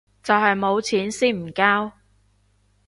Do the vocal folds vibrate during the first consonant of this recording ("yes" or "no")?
no